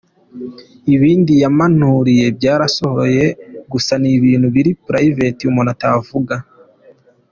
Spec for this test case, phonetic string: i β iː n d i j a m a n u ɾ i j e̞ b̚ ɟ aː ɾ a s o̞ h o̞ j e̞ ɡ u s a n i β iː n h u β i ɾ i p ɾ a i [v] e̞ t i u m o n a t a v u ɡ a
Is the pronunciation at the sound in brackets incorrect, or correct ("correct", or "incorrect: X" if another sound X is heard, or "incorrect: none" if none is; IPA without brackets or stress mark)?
correct